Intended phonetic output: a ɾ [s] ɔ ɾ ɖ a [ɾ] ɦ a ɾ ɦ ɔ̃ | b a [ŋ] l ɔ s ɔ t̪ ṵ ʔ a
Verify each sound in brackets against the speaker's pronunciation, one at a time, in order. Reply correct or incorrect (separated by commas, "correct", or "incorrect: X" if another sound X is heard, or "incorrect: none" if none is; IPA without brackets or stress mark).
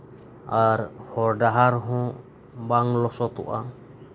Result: incorrect: h, incorrect: none, correct